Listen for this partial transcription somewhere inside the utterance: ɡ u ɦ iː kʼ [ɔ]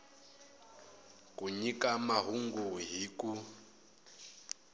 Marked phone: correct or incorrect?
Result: incorrect